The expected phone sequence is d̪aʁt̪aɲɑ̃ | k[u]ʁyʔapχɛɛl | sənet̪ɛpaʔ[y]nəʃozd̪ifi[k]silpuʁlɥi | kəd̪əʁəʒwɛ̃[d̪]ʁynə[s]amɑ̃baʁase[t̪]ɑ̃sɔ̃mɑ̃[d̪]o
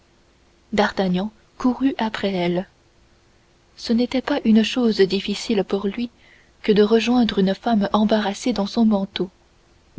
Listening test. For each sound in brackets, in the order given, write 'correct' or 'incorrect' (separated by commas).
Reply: correct, correct, incorrect, correct, incorrect, incorrect, incorrect